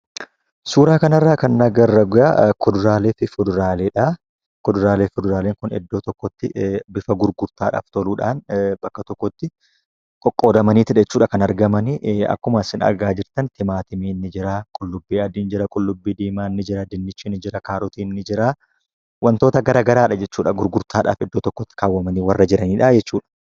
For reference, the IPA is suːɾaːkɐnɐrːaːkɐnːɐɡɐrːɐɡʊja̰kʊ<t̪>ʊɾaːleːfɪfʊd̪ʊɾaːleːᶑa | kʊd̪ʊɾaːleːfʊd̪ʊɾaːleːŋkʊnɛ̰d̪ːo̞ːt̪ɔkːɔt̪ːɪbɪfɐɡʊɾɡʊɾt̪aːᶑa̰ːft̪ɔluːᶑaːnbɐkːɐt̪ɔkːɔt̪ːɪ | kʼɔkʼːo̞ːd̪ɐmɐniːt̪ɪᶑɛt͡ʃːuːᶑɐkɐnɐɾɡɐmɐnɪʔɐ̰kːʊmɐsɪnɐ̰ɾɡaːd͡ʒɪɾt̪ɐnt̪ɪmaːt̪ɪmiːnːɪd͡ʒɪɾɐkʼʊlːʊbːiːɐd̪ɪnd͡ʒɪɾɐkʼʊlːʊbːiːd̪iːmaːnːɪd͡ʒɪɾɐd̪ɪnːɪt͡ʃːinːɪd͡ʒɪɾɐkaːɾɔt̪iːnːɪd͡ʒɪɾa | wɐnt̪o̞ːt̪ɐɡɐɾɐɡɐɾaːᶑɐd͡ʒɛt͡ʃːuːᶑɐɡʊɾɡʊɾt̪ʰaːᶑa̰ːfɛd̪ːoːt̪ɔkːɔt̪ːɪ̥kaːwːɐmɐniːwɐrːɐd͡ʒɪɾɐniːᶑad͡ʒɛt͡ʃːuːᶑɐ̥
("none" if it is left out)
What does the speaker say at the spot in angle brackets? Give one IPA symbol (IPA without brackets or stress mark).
d̪